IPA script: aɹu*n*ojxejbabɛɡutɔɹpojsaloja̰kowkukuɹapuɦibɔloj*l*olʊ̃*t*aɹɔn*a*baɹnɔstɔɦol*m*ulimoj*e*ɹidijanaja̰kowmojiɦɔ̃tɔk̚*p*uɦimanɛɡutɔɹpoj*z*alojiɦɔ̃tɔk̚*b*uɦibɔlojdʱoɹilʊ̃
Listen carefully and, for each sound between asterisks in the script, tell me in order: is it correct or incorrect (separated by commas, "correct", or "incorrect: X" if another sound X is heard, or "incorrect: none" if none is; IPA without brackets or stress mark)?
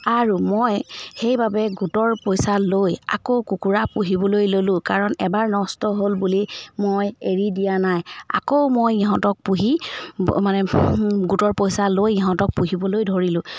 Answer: incorrect: m, correct, incorrect: k, incorrect: ɛ, incorrect: b, correct, correct, incorrect: s, incorrect: p